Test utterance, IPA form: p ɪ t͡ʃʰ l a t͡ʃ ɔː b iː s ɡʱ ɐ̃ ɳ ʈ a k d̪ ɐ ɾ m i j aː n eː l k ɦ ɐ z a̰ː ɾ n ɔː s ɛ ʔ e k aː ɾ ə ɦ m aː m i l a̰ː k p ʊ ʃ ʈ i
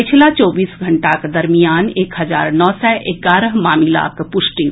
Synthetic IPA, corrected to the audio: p ɪ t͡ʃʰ l a t͡ʃ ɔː b iː s ɡʱ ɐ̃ ɳ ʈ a k d̪ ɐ ɾ m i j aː n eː k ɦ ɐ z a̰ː ɾ n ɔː s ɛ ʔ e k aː ɾ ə ɦ m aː m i l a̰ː k p ʊ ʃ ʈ i